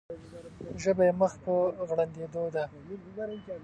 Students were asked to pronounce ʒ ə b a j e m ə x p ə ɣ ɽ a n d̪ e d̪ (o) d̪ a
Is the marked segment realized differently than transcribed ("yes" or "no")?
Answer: no